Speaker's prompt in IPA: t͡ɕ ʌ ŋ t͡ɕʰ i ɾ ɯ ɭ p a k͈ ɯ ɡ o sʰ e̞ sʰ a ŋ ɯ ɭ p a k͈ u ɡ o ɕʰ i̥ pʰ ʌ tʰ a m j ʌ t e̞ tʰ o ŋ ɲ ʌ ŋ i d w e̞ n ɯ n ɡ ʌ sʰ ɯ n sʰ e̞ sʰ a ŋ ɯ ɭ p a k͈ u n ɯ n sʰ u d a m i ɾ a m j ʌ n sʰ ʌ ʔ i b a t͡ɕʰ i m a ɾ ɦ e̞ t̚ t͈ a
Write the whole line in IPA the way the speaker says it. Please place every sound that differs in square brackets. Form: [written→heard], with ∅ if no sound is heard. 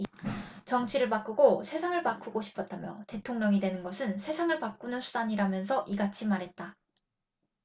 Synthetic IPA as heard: t͡ɕ ʌ ŋ t͡ɕʰ i ɾ ɯ ɭ p a k͈ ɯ ɡ o sʰ e̞ sʰ a ŋ ɯ ɭ p a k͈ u ɡ o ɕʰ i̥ pʰ ʌ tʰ a m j ʌ t e̞ tʰ o ŋ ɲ ʌ ŋ i d w e̞ n ɯ n ɡ ʌ sʰ ɯ n sʰ e̞ sʰ a ŋ ɯ ɭ p a k͈ u n ɯ n sʰ u d a [m→ɲ] i ɾ a m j ʌ n sʰ ʌ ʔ i [b→ɡ] a t͡ɕʰ i m a ɾ ɦ e̞ t̚ t͈ a

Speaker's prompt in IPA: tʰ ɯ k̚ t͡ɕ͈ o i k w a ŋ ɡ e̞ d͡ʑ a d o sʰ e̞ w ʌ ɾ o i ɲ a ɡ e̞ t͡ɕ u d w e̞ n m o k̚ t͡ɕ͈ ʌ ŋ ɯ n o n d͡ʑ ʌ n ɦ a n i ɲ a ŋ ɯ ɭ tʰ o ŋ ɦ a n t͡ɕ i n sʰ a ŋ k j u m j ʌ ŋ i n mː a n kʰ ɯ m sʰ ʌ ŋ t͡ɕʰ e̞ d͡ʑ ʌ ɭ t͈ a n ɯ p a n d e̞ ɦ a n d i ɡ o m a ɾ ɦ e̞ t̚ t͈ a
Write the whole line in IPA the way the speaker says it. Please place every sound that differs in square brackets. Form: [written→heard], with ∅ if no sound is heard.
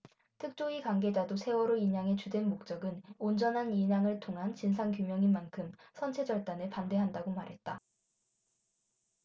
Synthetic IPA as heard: tʰ ɯ k̚ t͡ɕ͈ o i k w a ŋ ɡ e̞ d͡ʑ a d o sʰ e̞ w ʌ ɾ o i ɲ a [ɡ→ŋ] e̞ t͡ɕ u d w e̞ n m o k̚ t͡ɕ͈ ʌ [ŋ→ɡ] ɯ n o n d͡ʑ ʌ n ɦ a n i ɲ a ŋ ɯ ɭ tʰ o ŋ ɦ a n t͡ɕ i n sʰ a ŋ k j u m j ʌ ŋ i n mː a n kʰ ɯ m sʰ ʌ [ŋ→n] t͡ɕʰ e̞ d͡ʑ ʌ ɭ t͈ a n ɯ p a n d e̞ ɦ a n d [i→a] ɡ o m a ɾ ɦ e̞ t̚ t͈ a

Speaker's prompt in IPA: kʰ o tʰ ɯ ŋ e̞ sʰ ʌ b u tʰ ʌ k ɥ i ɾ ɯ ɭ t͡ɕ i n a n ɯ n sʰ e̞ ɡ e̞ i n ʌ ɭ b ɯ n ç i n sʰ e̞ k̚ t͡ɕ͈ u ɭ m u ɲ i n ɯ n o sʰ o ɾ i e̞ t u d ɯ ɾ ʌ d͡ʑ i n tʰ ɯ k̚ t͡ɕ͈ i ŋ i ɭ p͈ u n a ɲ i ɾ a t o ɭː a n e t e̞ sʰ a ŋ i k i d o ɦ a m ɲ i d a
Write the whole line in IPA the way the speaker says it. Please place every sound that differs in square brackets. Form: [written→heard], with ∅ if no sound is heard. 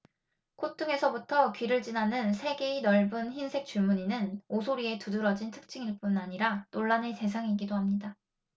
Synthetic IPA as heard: kʰ o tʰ ɯ ŋ e̞ sʰ ʌ b u tʰ ʌ k ɥ i ɾ ɯ ɭ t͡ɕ i n a n ɯ n sʰ e̞ ɡ e̞ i n ʌ ɭ b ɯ n ç i n sʰ e̞ k̚ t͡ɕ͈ u ɭ m u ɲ i n ɯ n o sʰ o ɾ i e̞ t u d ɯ ɾ ʌ d͡ʑ i n tʰ ɯ k̚ t͡ɕ͈ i ŋ i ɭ p͈ u n a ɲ i ɾ a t o ɭː a n e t e̞ sʰ a ŋ i [k→ɡ] i d o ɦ a m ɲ i d a

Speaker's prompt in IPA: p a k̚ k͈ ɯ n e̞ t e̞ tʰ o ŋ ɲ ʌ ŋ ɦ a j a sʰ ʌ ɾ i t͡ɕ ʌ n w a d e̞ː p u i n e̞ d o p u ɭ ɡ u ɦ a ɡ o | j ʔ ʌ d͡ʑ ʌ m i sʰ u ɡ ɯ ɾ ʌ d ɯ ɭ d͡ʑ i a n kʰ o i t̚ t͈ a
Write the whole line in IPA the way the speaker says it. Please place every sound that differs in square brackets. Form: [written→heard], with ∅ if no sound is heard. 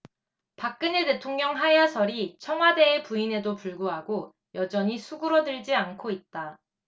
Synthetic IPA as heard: p a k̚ k͈ ɯ n e̞ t e̞ tʰ o ŋ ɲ ʌ ŋ ɦ a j a sʰ ʌ ɾ i [t͡ɕ→t͡ɕʰ] ʌ [n→ŋ] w a d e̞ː p u i n e̞ d o p u ɭ ɡ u ɦ a ɡ o | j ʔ ʌ d͡ʑ ʌ [m→ɲ] i sʰ u ɡ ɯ ɾ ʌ d ɯ ɭ d͡ʑ i a n kʰ o i t̚ t͈ a

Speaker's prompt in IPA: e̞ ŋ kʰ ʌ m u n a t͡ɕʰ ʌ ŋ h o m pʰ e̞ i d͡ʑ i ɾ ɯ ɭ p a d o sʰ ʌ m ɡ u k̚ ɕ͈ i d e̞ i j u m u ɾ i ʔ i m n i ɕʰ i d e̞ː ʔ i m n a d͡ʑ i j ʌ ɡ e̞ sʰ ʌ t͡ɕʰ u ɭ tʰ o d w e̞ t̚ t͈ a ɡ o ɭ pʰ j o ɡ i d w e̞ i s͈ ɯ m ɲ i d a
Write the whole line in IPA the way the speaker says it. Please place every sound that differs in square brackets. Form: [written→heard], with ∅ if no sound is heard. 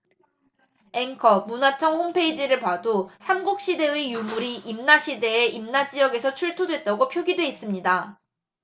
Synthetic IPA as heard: e̞ ŋ kʰ ʌ m u n a t͡ɕʰ ʌ ŋ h o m pʰ e̞ i d͡ʑ i ɾ ɯ ɭ p a d o sʰ [ʌ→a] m ɡ u k̚ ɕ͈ i d e̞ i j u m u ɾ i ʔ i m n [i→a] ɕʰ i d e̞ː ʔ i m n a d͡ʑ i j ʌ ɡ e̞ sʰ ʌ t͡ɕʰ u ɭ tʰ o d w e̞ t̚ t͈ a ɡ o [ɭ→∅] pʰ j o ɡ i d w e̞ i s͈ ɯ m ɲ i d a

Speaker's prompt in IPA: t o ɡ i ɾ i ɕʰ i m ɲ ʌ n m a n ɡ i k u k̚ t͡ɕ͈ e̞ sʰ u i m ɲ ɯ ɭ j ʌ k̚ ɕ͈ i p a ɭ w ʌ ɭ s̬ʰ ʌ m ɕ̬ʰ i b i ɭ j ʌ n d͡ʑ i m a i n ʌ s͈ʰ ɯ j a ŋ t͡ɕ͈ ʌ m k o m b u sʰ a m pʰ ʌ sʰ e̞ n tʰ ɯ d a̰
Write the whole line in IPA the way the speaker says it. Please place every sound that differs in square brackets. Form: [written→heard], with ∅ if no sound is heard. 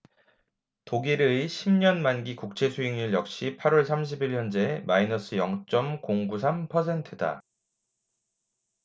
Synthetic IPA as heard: t o ɡ i ɾ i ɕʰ i m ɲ ʌ n m a n ɡ i k u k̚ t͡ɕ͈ e̞ sʰ u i [m→ŋ] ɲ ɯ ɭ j ʌ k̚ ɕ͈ i [p→pʰ] a [ɭ→ɾ] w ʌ ɭ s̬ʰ [ʌ→a] m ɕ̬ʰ i b i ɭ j ʌ n d͡ʑ [i→e] m a i n ʌ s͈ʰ ɯ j [a→ʌ] ŋ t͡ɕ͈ ʌ m k o [m→ŋ] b u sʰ a m pʰ ʌ sʰ e̞ n tʰ ɯ d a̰

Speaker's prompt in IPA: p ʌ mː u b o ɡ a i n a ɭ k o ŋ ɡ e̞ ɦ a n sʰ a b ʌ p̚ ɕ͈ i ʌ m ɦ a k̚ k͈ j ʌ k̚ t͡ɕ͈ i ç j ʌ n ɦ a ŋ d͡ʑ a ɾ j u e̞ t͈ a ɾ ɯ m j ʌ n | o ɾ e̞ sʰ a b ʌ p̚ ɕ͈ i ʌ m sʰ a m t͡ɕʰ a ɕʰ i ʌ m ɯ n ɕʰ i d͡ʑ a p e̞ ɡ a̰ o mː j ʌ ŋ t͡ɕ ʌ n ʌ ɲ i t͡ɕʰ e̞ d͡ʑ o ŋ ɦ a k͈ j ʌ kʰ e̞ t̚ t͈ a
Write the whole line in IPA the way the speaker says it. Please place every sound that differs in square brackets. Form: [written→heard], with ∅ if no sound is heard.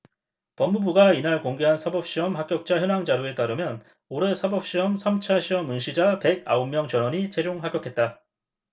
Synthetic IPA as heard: p ʌ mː u b [o→u] ɡ a i n a ɭ k o ŋ ɡ e̞ ɦ a n sʰ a b ʌ p̚ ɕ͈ i ʌ m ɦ a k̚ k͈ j ʌ k̚ t͡ɕ͈ [i→a] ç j ʌ n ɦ a ŋ d͡ʑ a ɾ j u e̞ t͈ a ɾ ɯ m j ʌ n | o ɾ e̞ sʰ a b ʌ p̚ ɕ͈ i ʌ m sʰ a m t͡ɕʰ a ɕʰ i ʌ m ɯ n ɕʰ i d͡ʑ a p e̞ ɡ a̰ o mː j ʌ ŋ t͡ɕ ʌ n ʌ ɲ i t͡ɕʰ e̞ d͡ʑ o ŋ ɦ a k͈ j ʌ kʰ e̞ t̚ t͈ a

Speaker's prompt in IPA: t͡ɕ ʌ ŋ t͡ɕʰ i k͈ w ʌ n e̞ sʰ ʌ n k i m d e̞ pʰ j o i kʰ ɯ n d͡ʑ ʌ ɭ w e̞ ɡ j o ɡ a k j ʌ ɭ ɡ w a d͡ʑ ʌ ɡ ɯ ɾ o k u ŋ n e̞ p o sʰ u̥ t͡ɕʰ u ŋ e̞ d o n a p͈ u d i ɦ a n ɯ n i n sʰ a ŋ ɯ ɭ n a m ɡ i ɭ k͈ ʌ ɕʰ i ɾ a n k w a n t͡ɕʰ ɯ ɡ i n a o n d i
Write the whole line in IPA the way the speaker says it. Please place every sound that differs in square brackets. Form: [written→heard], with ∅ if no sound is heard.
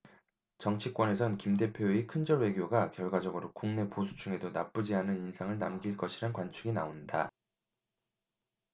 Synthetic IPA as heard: t͡ɕ ʌ ŋ t͡ɕʰ i k͈ w ʌ n e̞ sʰ ʌ n k i m d e̞ pʰ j o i kʰ ɯ n d͡ʑ ʌ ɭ w e̞ ɡ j o ɡ a k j ʌ ɭ ɡ w a d͡ʑ ʌ ɡ ɯ ɾ o k u ŋ n e̞ p o sʰ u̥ t͡ɕʰ u ŋ e̞ d o n a p͈ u [d→d͡ʑ] i ɦ a n ɯ n i n sʰ a ŋ ɯ ɭ n a m ɡ i ɭ k͈ ʌ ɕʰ i ɾ a n k w a n t͡ɕʰ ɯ ɡ i n a o n d [i→a]

